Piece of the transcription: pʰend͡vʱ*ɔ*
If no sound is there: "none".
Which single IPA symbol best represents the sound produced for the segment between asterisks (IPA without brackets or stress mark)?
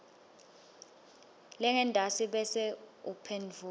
u